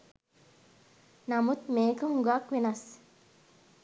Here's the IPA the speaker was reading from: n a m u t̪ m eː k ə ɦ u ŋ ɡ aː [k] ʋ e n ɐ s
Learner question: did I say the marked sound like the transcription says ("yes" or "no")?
yes